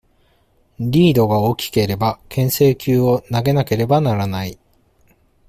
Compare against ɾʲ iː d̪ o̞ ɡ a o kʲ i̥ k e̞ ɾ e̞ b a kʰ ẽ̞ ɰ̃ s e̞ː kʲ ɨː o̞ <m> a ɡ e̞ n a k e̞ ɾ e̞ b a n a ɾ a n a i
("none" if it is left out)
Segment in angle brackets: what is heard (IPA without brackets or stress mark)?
n